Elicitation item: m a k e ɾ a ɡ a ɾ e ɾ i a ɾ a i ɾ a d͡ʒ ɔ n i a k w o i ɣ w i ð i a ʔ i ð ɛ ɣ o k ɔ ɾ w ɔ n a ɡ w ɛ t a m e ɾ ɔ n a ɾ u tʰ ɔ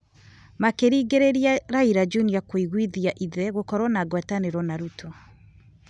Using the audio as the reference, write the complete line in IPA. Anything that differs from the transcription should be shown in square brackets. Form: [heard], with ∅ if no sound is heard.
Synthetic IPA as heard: m a k e ɾ [i] ɡ [e] ɾ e ɾ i a ɾ a i ɾ a d͡ʒ [u] n i a k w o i ɣ w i ð i a ʔ i ð ɛ ɣ o k ɔ ɾ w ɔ n a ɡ w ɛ t a [n] e ɾ ɔ n a ɾ u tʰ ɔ